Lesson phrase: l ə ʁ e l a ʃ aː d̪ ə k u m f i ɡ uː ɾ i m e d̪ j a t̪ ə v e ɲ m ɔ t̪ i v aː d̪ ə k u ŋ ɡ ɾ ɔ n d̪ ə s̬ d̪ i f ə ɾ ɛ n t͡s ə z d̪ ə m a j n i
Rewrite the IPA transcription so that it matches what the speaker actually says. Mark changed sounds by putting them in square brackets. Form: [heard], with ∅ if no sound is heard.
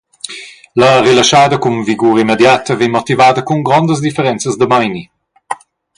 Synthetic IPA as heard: l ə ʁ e l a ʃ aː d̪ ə k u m [v] i ɡ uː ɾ i m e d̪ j a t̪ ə v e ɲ m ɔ t̪ i v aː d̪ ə k u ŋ ɡ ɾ ɔ n d̪ ə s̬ d̪ i f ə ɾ ɛ n t͡s ə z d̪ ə m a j n i